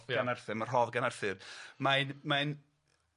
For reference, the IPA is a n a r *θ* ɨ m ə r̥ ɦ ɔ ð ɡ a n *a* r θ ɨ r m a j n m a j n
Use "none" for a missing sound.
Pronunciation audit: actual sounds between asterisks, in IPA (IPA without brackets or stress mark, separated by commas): θ, a